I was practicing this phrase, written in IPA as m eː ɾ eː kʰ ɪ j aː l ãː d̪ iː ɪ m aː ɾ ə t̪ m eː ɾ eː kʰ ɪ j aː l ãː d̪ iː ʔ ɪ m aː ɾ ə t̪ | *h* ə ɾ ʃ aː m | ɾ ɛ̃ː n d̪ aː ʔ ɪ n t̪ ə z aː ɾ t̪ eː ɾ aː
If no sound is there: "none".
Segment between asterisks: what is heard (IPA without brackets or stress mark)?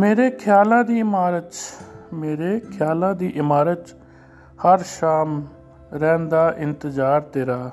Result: h